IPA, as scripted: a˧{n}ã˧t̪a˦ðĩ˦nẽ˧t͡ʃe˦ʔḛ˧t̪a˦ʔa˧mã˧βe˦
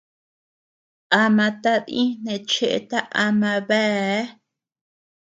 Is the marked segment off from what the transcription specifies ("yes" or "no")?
yes